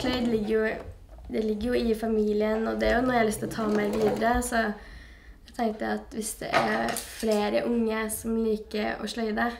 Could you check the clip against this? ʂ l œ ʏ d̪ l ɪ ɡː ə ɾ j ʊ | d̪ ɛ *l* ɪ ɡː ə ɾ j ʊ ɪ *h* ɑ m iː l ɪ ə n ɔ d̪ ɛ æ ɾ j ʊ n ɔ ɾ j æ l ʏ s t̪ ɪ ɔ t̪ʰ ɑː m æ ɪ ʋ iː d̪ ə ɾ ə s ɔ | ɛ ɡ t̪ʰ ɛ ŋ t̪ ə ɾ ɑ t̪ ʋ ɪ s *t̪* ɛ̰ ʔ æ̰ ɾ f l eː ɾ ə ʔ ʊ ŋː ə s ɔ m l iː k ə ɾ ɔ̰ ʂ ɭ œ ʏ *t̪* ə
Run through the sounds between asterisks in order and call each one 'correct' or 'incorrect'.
correct, incorrect: f, incorrect: d̪, incorrect: d̪

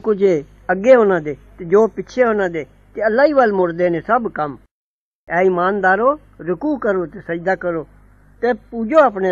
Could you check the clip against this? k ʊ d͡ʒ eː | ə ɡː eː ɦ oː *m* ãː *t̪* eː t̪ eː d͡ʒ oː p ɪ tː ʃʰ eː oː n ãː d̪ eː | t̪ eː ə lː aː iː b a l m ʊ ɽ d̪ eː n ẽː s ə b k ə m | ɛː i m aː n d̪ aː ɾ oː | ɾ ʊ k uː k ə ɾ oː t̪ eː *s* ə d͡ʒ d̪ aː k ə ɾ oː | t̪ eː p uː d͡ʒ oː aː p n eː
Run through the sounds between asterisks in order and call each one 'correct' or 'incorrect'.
incorrect: n, incorrect: d̪, correct

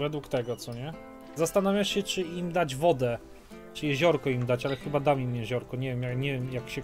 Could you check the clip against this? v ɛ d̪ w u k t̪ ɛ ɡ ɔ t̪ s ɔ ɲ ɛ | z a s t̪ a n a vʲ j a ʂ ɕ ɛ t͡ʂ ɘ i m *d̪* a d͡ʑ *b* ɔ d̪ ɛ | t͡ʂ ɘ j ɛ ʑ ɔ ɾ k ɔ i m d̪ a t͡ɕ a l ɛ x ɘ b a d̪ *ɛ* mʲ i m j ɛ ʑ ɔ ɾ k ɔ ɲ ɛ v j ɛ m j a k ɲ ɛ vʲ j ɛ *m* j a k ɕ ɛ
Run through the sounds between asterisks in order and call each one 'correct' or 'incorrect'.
correct, incorrect: v, incorrect: a, correct

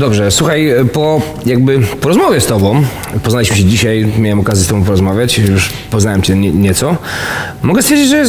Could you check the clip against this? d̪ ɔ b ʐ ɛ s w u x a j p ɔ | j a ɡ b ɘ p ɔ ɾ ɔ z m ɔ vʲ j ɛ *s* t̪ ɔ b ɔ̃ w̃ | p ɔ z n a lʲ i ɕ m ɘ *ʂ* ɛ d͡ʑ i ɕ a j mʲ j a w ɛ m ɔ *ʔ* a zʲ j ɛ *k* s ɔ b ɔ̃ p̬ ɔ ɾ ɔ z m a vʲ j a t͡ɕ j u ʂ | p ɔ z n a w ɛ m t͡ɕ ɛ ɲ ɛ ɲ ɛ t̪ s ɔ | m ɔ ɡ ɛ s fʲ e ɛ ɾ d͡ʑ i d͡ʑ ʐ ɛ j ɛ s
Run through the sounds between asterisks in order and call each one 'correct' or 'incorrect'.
correct, incorrect: ɕ, incorrect: k, incorrect: none

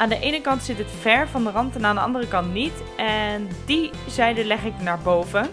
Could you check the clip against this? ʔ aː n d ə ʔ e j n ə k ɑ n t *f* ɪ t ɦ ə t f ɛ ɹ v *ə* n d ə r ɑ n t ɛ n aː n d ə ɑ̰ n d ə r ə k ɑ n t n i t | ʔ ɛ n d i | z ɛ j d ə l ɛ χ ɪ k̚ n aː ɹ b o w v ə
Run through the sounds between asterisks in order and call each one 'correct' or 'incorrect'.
incorrect: s, incorrect: ɑ

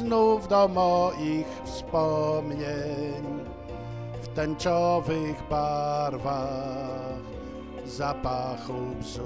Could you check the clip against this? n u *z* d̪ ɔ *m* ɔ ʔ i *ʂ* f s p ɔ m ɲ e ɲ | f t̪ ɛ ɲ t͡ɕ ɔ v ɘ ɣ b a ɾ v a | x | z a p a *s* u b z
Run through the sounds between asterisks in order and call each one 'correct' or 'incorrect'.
incorrect: v, correct, incorrect: x, incorrect: x

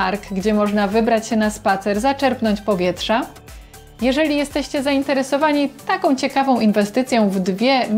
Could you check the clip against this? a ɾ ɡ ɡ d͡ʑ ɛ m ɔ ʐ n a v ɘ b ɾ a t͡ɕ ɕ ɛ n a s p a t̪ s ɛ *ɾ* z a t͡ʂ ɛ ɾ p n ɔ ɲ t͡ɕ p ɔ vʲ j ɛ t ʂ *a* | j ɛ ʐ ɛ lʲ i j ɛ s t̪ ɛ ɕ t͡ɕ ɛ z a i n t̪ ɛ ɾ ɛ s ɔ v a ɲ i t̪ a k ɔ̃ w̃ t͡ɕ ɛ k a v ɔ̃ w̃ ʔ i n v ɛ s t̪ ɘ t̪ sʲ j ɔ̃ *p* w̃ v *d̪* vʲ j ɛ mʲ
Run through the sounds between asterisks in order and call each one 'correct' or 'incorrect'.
correct, correct, incorrect: none, correct

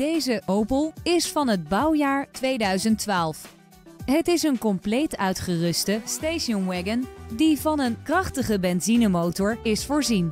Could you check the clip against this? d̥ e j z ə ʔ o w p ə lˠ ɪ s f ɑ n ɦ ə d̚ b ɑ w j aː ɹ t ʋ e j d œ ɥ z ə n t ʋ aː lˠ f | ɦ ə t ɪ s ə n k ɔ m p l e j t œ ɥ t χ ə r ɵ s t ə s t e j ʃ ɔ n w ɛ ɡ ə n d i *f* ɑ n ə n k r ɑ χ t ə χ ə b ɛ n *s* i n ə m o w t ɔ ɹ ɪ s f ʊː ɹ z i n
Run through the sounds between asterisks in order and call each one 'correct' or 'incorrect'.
incorrect: v, incorrect: z

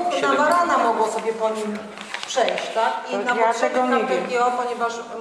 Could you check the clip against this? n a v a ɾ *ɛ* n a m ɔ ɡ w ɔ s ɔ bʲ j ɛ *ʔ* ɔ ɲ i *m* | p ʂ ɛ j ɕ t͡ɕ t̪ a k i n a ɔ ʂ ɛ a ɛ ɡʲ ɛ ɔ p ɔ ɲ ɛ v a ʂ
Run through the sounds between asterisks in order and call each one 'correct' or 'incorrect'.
incorrect: a, incorrect: p, correct

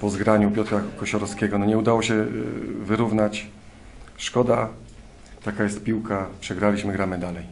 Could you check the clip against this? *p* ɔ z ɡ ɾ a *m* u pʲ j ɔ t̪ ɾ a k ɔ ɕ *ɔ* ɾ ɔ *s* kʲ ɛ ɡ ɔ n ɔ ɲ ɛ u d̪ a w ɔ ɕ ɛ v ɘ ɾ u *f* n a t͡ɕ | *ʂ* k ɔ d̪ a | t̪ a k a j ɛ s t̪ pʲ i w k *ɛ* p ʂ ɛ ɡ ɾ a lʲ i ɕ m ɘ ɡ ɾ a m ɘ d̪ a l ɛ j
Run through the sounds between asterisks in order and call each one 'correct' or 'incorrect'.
correct, incorrect: ɲ, correct, correct, incorrect: v, correct, incorrect: a

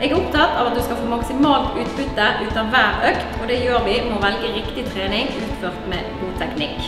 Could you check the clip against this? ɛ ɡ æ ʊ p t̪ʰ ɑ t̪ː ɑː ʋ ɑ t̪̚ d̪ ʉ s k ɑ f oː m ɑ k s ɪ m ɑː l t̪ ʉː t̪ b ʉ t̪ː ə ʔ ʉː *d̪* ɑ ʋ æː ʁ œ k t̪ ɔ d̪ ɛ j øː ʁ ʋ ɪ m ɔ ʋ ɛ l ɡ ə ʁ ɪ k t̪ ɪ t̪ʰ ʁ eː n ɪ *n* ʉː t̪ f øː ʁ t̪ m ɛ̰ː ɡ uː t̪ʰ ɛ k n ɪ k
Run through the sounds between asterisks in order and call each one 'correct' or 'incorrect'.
incorrect: t̪, incorrect: ŋ

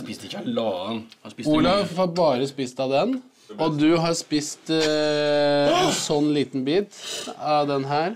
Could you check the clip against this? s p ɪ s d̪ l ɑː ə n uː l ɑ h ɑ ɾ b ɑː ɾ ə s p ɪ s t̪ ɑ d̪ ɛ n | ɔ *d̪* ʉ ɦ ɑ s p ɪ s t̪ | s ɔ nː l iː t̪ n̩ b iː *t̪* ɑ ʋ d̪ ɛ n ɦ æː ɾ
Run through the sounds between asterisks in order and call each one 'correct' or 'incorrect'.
correct, correct

